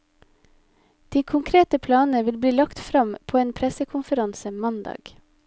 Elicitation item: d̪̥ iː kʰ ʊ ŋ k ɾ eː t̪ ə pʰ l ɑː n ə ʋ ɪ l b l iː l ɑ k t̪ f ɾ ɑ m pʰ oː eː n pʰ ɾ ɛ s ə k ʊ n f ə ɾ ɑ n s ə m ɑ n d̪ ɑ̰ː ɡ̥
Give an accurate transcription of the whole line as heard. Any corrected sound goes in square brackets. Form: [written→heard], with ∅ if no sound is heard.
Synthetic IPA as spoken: d̪̥ iː kʰ ʊ ŋ [k→kʰ] ɾ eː t̪ ə pʰ l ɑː n ə ʋ ɪ l b l iː l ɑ k t̪ f ɾ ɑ m pʰ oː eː n pʰ ɾ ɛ s ə [k→kʰ] ʊ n f ə ɾ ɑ n s ə m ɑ n d̪ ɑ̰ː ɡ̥